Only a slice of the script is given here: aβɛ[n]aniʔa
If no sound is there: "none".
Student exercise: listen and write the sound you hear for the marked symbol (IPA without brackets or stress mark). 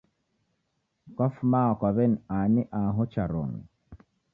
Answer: n